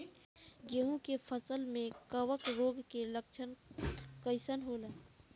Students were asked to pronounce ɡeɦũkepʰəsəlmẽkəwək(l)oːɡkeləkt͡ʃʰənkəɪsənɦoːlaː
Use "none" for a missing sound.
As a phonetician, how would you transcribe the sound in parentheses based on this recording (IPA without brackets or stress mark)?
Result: ɾ